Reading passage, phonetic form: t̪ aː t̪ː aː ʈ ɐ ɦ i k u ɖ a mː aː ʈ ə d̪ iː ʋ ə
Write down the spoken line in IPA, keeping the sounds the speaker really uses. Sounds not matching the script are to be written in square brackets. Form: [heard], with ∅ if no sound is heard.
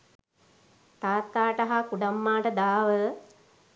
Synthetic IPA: t̪ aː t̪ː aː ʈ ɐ ɦ [a] k u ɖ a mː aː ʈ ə d̪ [aː] ʋ ə